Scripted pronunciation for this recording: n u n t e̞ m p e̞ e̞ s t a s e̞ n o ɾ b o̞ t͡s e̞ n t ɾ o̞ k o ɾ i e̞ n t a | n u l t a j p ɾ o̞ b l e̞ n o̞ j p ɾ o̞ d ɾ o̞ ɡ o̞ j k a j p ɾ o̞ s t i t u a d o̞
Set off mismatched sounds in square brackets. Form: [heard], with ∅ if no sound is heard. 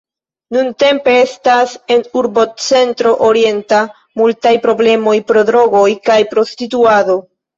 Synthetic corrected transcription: n u n t e̞ m p e̞ e̞ s t a s e̞ n [u] ɾ b o̞ t͡s e̞ n t ɾ o̞ [ʔ] o ɾ i e̞ n t a | [m] u l t a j p ɾ o̞ b l e̞ [m] o̞ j p ɾ o̞ d ɾ o̞ ɡ o̞ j k a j p ɾ o̞ s t i t u a d o̞